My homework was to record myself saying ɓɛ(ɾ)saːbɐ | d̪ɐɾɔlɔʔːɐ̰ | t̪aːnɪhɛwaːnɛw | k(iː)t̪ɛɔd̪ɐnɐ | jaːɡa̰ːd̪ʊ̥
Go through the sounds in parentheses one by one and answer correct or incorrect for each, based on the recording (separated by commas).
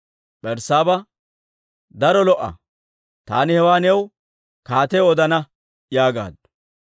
correct, incorrect